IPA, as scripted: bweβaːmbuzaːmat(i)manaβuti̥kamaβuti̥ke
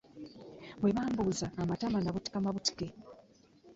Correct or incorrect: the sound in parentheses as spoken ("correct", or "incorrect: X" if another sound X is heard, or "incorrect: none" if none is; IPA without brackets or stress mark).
incorrect: a